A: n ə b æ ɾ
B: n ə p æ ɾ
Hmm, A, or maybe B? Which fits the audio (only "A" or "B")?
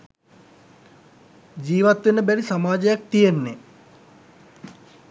A